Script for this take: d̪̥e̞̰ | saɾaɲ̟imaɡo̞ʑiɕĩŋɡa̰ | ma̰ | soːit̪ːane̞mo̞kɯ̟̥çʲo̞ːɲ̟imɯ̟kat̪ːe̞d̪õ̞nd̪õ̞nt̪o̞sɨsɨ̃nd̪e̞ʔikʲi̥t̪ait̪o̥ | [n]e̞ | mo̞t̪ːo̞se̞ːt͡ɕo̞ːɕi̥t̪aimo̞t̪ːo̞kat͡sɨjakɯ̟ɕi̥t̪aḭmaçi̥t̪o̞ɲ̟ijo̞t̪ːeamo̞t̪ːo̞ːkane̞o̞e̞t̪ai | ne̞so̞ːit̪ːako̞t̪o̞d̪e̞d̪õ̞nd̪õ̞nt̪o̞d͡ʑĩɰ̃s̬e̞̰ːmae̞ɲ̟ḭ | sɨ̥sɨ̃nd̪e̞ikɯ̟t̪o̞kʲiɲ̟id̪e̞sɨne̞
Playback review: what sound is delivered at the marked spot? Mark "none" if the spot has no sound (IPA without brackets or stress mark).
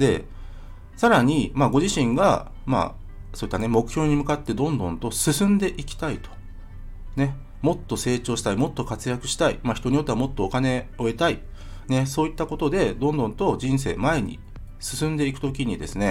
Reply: n